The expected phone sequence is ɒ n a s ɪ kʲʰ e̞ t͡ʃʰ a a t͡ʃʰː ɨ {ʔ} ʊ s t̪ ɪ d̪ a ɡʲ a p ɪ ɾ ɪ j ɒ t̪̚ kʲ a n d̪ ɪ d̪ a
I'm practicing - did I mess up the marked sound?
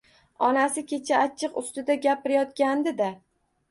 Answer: yes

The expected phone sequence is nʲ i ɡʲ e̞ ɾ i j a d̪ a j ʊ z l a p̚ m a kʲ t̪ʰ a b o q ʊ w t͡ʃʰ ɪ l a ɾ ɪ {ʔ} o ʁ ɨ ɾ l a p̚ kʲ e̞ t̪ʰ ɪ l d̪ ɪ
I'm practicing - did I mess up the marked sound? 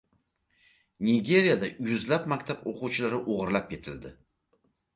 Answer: no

